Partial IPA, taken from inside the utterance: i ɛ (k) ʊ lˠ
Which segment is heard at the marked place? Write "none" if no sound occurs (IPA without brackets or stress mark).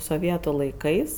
t